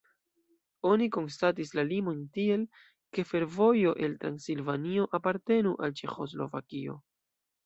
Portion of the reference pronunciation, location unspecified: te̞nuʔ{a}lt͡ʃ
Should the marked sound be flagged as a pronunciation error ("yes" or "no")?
no